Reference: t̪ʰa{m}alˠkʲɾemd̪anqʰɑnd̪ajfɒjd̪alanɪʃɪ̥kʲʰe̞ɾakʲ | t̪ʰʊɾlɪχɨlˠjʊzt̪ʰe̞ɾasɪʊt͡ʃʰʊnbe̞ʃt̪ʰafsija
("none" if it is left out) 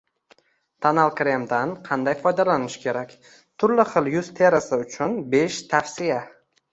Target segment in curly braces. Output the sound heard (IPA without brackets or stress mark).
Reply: n